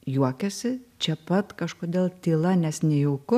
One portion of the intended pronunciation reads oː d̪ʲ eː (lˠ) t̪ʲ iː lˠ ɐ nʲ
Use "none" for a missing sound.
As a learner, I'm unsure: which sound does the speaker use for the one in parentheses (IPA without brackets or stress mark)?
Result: lˠ